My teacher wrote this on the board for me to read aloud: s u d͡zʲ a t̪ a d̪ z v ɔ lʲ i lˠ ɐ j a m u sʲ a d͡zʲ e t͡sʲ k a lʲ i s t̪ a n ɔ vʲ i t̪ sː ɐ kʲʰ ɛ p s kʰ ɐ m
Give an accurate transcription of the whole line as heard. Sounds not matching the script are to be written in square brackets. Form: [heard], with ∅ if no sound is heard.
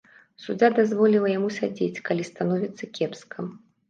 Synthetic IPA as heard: s u d͡zʲ a [d̪] a [∅] z v ɔ lʲ i lˠ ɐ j a m u sʲ a d͡zʲ e t͡sʲ k a lʲ i s t̪ a n ɔ vʲ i t̪ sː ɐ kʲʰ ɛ p s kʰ ɐ m